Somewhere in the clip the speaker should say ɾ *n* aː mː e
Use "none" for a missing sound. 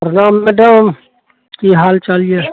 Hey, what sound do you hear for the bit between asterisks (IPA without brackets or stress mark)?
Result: n